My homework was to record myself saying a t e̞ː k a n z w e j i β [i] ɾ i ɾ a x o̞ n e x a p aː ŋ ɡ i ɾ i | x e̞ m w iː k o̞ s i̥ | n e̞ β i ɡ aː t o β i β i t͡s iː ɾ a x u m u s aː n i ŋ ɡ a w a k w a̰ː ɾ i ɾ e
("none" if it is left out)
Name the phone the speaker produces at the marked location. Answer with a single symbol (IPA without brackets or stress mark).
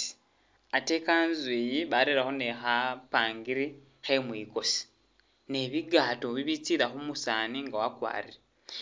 a